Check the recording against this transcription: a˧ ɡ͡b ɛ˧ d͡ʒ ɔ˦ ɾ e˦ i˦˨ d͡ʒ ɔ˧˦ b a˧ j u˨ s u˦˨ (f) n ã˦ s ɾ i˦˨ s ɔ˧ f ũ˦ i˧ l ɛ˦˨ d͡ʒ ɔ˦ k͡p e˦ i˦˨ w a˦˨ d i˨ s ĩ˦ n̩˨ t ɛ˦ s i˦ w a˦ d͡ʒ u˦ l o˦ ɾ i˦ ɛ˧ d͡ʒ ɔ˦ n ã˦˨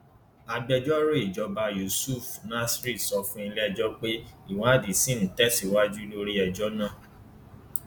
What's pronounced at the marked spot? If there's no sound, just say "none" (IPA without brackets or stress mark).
f